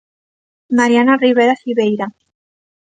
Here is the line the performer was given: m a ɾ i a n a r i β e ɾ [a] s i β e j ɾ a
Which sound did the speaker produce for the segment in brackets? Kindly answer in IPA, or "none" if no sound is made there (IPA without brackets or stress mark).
a